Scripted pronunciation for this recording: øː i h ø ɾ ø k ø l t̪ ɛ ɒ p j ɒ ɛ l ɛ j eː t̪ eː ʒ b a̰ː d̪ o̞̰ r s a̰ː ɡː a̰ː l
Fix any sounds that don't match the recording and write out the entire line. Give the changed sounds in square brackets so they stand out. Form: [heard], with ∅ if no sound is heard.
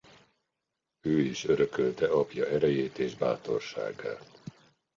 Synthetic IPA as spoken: øː i [ʃ] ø ɾ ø k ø l t̪ ɛ ɒ p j ɒ ɛ [ɾ] ɛ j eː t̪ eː ʒ b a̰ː [t̪] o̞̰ r [ʃ] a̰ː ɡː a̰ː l